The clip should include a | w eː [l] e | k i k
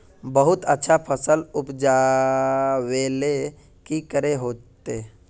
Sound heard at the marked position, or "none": l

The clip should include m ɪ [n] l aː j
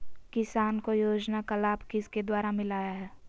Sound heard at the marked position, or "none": none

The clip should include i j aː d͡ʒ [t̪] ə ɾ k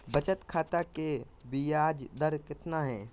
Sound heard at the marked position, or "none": d̪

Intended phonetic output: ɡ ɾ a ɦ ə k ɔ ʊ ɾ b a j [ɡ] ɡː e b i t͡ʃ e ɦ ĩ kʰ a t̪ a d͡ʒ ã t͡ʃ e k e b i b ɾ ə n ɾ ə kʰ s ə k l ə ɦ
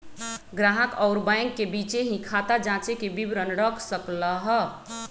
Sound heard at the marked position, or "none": ŋ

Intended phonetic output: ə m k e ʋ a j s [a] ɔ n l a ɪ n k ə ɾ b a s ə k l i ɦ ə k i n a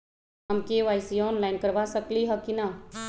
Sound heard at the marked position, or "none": i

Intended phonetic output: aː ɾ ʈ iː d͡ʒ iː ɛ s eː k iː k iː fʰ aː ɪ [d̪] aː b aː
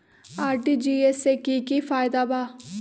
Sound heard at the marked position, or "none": d̪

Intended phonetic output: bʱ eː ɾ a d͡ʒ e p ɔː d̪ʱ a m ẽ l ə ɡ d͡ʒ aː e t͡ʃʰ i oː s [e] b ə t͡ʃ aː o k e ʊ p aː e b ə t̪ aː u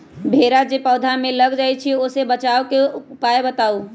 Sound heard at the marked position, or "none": e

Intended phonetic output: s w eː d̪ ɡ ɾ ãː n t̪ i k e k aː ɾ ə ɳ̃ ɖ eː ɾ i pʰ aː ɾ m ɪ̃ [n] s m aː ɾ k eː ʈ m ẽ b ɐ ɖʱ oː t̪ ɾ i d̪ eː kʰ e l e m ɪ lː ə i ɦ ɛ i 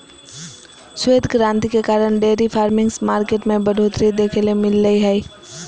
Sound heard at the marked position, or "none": ŋ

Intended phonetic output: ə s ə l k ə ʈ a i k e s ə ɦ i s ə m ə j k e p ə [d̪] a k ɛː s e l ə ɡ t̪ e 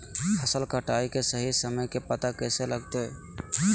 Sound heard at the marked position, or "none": t̪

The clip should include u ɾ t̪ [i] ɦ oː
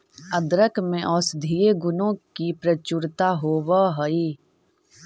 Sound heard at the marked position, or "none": a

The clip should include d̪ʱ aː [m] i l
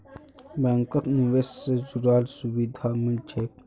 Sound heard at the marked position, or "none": m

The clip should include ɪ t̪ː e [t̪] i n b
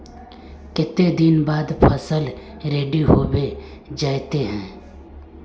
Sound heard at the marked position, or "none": d̪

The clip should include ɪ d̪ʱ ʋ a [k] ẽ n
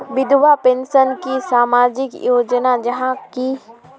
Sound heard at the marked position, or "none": p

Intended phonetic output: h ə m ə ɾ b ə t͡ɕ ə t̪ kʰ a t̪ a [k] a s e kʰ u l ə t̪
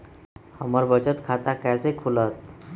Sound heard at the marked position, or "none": k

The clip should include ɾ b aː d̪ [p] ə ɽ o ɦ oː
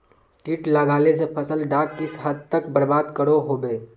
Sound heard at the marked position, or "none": k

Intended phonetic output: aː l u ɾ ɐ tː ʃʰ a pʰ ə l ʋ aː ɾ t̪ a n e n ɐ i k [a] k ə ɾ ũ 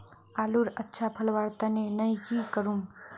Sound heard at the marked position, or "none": i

